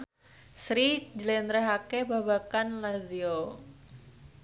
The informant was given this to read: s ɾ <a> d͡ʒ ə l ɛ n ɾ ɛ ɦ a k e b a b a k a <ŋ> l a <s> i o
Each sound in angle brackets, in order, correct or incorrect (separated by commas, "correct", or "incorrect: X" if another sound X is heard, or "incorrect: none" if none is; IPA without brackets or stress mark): incorrect: i, incorrect: n, incorrect: z